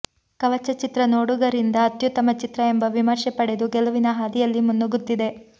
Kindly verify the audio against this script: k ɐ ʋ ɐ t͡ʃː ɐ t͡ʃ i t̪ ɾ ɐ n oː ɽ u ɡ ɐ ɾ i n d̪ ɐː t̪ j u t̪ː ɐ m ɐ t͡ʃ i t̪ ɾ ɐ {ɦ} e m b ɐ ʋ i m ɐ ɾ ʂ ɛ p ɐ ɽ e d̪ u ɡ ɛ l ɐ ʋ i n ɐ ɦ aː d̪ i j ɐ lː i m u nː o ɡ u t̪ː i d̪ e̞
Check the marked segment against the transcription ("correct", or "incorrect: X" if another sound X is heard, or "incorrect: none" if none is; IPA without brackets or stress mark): incorrect: none